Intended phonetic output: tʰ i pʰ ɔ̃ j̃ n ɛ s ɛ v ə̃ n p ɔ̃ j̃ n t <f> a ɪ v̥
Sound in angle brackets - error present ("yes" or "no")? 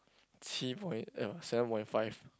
no